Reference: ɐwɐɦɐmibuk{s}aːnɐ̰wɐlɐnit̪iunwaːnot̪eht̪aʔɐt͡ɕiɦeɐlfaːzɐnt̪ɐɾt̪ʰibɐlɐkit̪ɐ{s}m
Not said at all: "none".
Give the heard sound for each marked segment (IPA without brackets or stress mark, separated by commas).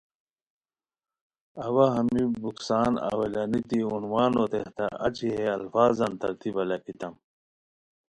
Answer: s, none